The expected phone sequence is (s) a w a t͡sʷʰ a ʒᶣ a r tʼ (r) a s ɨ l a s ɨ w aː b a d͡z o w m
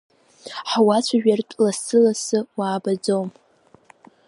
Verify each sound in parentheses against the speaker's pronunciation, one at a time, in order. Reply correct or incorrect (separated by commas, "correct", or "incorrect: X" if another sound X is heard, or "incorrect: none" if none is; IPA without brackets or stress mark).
incorrect: ħ, incorrect: l